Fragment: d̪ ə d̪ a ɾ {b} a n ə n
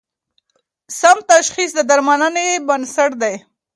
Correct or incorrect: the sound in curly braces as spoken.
incorrect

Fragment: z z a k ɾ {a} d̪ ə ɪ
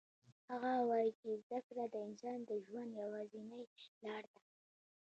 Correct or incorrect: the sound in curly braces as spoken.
correct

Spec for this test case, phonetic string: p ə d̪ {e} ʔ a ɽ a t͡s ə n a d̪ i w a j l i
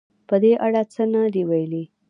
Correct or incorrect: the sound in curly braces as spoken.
correct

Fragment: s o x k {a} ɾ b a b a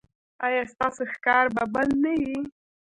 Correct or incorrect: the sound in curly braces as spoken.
incorrect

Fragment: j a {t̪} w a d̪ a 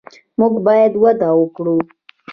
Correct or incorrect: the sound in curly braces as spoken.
incorrect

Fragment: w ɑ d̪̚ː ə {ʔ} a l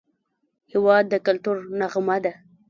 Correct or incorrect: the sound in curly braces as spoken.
incorrect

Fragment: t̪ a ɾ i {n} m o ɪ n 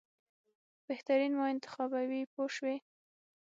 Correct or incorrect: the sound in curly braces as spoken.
correct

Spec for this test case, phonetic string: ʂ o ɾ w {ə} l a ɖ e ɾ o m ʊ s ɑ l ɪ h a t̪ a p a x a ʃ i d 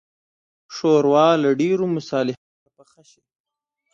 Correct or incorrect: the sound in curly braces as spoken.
incorrect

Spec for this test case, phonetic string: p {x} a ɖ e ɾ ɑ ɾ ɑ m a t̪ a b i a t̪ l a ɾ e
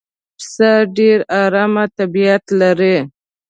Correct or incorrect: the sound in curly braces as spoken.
incorrect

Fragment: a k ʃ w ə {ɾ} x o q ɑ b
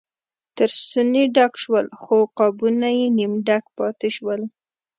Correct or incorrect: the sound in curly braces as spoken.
incorrect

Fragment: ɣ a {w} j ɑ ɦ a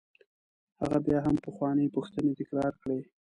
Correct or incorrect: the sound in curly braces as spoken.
incorrect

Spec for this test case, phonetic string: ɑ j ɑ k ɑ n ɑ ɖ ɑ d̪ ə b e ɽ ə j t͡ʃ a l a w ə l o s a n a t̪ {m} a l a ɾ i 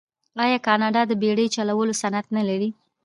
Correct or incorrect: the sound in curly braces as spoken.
incorrect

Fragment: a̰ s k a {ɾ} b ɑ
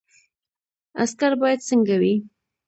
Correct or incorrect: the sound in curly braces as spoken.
correct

